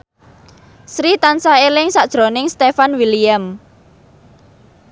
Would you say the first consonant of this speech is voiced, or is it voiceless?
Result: voiceless